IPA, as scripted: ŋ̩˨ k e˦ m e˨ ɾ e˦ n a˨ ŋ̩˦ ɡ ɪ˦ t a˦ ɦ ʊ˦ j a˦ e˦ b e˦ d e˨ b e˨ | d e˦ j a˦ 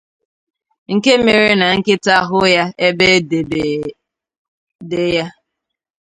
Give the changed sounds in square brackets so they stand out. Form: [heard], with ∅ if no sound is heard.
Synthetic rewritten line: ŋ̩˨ k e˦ m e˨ ɾ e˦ n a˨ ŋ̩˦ [k] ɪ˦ t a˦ ɦ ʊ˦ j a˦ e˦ b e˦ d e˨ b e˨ | d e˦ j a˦